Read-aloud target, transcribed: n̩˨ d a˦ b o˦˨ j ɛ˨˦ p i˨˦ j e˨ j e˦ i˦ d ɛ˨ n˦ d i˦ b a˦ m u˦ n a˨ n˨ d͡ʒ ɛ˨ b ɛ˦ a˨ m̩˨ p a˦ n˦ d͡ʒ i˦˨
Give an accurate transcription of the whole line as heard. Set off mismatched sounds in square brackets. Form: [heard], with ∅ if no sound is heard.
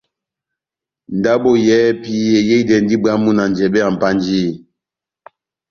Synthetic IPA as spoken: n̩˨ d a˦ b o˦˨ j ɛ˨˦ p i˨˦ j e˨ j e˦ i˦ d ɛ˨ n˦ d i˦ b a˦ m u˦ n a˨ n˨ d͡ʒ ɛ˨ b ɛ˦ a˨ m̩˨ p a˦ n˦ d͡ʒ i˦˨